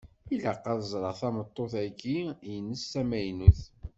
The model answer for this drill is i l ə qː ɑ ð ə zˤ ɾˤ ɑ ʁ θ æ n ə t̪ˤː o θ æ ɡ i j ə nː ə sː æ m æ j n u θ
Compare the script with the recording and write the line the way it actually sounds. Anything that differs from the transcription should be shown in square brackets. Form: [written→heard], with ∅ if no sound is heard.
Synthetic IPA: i l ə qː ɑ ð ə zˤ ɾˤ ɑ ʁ θ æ [n→m] ə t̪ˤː o θ æ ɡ i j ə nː ə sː æ m æ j n u θ